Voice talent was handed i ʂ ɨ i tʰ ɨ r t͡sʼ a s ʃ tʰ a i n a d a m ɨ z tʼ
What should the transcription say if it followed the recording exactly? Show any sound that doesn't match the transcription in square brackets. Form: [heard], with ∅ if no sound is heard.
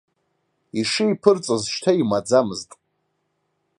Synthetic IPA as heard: i ʂ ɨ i [pʰ] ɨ r t͡sʼ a [z] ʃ tʰ a i [m] a [d͡z] a m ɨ z tʼ